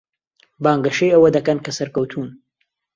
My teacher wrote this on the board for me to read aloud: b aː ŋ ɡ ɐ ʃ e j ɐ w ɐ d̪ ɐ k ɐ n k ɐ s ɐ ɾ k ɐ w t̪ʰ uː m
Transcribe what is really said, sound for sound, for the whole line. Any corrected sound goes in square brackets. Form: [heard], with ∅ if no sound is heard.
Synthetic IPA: b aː ŋ ɡ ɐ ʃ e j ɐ w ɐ d̪ ɐ k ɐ n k ɐ s ɐ ɾ k ɐ w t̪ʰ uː [n]